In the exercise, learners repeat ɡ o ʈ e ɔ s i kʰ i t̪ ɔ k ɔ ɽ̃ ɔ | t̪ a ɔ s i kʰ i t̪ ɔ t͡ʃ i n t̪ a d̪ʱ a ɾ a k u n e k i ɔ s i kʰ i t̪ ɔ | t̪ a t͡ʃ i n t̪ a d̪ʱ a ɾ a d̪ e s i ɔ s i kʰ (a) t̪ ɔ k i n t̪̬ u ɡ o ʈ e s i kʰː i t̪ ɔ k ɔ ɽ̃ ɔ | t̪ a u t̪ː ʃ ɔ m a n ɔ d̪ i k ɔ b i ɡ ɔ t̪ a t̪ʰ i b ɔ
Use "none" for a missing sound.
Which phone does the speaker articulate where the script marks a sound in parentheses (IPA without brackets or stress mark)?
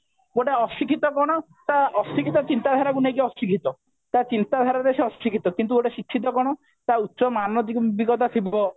i